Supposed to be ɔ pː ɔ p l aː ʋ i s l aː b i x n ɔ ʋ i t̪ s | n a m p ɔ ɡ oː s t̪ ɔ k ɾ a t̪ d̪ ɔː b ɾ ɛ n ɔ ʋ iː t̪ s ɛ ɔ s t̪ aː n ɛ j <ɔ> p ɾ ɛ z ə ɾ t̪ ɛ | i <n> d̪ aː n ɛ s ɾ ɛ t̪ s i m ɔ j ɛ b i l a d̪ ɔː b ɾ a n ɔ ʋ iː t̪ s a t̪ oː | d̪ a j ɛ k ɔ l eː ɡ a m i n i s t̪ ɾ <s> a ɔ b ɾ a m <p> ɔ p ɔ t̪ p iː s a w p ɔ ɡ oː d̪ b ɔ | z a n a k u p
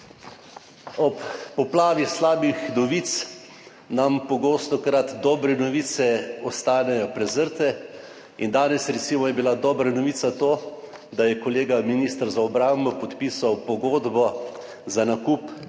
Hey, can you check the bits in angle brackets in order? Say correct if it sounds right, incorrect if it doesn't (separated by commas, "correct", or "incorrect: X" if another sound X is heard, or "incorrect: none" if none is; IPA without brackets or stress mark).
correct, correct, incorrect: z, incorrect: b